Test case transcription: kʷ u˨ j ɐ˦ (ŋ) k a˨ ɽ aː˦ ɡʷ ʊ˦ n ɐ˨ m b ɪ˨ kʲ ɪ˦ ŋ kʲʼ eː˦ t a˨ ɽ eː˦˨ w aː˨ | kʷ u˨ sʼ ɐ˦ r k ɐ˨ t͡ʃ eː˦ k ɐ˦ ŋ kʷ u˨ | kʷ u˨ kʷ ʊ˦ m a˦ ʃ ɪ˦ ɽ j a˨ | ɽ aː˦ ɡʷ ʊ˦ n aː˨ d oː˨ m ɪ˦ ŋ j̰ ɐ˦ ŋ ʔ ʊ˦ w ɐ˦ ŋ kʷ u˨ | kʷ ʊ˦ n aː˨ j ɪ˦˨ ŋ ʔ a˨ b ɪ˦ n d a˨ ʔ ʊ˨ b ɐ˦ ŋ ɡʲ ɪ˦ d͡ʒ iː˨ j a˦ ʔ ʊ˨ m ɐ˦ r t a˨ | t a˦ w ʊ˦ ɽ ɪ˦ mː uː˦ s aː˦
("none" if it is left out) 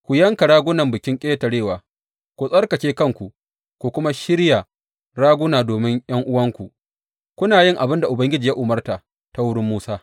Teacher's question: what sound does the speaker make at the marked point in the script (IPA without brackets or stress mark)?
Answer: ŋ